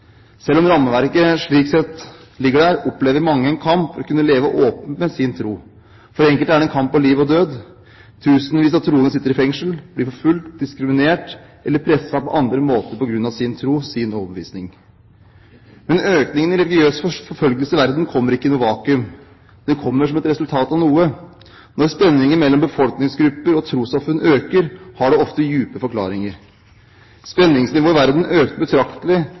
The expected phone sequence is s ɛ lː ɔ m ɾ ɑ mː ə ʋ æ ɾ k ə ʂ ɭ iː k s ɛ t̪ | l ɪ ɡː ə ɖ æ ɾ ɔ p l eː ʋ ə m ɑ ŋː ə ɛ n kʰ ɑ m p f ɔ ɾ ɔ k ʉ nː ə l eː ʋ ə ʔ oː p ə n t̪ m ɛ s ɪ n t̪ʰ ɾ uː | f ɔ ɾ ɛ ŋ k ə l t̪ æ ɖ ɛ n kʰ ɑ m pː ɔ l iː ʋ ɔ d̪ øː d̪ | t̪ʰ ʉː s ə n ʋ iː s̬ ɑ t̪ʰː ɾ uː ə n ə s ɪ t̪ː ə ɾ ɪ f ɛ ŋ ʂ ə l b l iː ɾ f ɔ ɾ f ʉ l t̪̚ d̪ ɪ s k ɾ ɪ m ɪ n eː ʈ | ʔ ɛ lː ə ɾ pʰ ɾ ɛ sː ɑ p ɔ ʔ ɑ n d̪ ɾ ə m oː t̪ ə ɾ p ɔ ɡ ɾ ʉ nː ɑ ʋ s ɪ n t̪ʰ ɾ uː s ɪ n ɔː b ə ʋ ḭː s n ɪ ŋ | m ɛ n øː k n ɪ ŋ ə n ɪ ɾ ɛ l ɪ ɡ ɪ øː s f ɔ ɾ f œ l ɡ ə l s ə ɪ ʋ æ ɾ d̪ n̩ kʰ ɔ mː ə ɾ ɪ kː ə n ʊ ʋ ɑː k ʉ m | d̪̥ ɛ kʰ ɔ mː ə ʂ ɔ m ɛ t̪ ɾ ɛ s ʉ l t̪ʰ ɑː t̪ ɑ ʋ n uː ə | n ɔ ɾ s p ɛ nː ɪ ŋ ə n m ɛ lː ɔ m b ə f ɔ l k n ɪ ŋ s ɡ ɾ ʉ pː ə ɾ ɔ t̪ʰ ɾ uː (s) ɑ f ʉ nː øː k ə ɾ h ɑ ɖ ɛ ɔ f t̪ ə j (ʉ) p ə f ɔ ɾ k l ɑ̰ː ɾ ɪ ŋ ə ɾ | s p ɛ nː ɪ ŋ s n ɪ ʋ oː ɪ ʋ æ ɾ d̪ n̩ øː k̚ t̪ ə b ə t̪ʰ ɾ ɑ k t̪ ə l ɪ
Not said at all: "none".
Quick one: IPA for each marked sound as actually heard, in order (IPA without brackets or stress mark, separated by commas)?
s, ʉː